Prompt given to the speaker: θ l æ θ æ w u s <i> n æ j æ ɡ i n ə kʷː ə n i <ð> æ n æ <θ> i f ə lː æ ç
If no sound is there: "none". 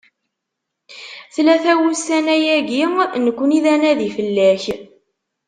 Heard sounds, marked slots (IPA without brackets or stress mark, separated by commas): æ, ð, ð